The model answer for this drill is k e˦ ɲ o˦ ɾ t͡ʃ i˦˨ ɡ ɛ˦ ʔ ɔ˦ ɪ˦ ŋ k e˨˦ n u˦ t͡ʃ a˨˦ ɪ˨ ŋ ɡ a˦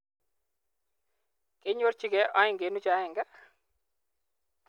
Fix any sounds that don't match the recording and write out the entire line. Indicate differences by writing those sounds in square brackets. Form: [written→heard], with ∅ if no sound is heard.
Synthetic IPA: k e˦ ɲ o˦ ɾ t͡ʃ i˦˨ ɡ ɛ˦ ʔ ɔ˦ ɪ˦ ŋ [k→ɡ] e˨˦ n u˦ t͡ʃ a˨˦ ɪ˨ ŋ ɡ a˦